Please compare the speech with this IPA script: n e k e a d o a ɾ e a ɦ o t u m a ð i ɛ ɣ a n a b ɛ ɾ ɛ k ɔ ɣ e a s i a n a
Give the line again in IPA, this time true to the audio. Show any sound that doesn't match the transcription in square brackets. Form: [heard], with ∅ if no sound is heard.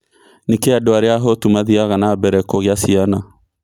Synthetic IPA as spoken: n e k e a d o a ɾ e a ɦ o t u m a ð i [a] ɣ a n a b ɛ ɾ ɛ k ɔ ɣ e a s i a n a